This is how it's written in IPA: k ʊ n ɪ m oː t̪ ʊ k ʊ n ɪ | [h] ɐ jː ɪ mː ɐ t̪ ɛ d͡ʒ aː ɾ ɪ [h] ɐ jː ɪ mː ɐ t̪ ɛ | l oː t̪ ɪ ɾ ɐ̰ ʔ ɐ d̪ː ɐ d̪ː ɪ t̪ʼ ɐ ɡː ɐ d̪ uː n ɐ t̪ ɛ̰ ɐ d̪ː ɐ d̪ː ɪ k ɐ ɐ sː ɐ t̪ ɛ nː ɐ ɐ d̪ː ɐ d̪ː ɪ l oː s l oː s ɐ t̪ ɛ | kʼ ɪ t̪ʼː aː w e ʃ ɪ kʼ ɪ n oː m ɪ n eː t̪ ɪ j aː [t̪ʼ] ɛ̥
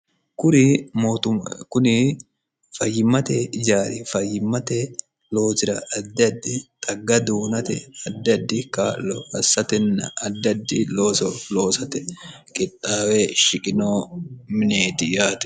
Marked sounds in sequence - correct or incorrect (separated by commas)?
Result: incorrect, incorrect, incorrect